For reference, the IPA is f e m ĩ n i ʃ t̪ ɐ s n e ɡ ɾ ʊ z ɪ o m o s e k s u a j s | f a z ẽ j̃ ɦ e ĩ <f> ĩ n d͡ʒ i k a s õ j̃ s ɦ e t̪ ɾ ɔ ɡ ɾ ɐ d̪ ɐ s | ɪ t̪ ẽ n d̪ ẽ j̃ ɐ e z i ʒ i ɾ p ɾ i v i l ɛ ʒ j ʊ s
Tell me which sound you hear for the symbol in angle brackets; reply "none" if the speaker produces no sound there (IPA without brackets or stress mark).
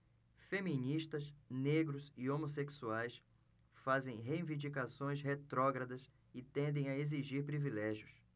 v